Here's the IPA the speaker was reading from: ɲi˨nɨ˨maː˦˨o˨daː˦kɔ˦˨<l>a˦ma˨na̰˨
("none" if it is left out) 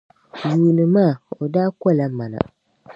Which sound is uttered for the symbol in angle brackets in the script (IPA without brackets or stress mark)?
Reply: l